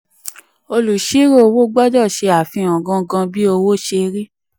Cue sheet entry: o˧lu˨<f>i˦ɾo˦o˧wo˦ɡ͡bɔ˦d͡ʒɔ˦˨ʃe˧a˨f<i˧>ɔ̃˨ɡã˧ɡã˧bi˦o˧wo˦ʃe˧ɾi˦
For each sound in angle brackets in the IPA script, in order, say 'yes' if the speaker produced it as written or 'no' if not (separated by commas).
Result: no, no